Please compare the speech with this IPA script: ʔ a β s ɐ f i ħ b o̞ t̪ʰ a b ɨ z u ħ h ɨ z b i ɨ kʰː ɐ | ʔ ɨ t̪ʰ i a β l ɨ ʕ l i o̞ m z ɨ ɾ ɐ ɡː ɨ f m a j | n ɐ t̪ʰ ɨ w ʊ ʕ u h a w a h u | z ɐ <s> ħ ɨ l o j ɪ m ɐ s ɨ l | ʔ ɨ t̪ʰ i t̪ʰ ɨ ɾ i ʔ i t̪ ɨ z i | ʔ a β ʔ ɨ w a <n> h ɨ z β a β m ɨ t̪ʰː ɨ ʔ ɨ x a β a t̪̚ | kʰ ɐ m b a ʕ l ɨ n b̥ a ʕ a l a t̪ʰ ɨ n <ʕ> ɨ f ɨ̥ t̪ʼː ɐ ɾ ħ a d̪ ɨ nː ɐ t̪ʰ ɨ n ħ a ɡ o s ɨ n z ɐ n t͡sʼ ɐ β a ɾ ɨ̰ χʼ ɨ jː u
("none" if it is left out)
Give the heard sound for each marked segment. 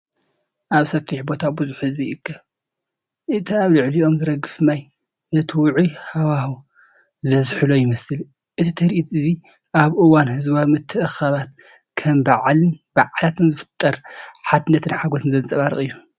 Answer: z, n, z

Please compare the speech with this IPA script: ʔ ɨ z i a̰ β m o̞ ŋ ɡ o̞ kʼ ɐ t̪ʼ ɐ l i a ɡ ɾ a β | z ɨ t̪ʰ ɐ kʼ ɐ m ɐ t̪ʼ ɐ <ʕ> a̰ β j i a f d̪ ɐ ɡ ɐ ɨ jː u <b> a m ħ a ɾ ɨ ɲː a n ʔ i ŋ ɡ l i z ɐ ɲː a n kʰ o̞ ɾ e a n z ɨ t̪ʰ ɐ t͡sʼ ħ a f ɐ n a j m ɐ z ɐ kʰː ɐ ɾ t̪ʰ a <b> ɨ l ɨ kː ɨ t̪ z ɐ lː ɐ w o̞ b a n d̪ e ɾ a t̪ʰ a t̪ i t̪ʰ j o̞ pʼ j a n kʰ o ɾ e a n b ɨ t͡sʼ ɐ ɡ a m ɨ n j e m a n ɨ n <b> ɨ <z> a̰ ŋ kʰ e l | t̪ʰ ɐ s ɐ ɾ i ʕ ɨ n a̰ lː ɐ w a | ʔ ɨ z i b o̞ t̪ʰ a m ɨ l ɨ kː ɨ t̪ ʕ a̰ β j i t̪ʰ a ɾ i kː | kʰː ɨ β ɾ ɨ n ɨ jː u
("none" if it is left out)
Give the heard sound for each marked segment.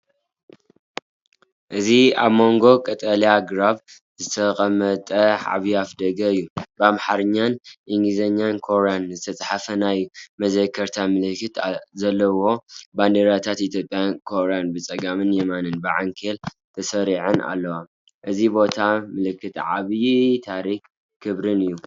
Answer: ʕ, b, m, b, ʕ

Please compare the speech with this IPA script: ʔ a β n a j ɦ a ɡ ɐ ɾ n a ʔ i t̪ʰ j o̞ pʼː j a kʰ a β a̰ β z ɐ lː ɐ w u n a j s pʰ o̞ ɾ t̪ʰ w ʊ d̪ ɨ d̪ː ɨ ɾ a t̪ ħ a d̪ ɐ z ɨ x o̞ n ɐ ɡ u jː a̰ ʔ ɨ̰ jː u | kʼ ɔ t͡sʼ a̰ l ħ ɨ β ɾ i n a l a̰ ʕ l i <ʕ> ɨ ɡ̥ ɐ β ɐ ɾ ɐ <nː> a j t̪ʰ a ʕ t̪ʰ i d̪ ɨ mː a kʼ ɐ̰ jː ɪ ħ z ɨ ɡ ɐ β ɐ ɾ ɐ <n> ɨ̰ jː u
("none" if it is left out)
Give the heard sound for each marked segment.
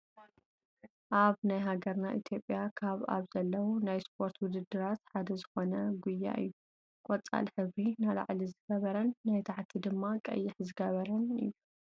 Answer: z, nː, n

